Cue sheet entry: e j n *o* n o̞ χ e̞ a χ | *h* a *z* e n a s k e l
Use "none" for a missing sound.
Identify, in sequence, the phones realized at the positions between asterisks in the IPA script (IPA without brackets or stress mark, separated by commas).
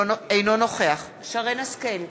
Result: o, ʃ, ʁ